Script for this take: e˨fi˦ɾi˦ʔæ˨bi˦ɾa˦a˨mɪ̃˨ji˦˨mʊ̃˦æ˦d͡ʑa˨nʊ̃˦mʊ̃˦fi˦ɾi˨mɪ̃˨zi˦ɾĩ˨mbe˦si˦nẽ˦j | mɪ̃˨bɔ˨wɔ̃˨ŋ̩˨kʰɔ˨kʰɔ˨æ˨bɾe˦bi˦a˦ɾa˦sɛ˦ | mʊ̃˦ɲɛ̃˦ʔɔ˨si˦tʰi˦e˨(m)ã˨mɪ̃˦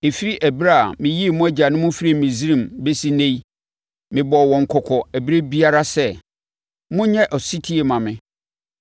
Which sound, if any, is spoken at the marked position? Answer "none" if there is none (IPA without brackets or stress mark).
m